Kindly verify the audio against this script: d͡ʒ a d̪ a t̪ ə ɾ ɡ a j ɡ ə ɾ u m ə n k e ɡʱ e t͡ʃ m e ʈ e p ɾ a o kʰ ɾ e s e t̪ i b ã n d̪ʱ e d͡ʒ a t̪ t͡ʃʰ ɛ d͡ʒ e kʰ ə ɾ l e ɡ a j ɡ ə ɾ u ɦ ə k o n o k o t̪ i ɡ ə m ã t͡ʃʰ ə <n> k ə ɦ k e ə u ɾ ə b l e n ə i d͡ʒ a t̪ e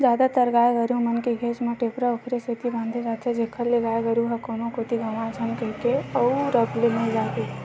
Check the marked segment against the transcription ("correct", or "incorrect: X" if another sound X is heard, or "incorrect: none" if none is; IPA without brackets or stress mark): correct